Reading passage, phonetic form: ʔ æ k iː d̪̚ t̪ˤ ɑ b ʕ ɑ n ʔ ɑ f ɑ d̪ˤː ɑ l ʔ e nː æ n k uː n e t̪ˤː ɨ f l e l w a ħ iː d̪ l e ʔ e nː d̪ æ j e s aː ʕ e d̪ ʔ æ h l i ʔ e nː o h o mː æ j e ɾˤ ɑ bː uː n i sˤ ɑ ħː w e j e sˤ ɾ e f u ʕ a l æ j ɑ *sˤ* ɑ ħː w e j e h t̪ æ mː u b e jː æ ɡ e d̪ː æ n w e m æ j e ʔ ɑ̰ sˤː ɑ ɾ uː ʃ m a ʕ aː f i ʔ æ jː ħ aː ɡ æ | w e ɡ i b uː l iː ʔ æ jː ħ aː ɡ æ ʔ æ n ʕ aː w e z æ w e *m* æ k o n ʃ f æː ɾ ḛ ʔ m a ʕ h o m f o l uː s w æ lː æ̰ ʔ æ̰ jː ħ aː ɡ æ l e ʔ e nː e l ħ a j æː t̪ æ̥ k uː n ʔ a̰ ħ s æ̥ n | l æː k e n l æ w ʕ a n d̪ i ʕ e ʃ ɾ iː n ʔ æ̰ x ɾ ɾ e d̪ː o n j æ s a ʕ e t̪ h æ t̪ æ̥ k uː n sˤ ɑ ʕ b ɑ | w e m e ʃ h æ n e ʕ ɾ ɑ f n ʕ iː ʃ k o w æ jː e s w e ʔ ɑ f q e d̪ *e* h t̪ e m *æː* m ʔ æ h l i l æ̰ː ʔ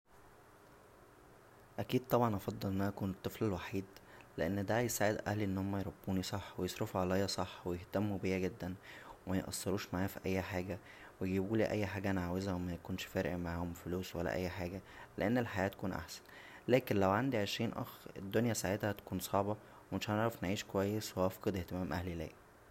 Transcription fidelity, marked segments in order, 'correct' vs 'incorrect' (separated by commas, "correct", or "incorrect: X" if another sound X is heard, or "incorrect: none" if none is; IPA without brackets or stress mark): correct, correct, correct, correct